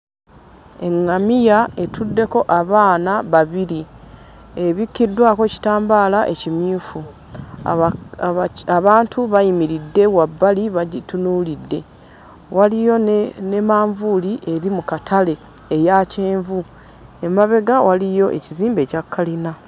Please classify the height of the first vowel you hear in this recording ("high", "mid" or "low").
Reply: mid